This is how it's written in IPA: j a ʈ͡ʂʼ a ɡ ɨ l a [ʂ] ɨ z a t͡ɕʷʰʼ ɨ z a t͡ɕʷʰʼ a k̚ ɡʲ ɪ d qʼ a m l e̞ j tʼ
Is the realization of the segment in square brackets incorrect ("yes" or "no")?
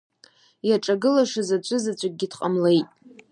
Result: no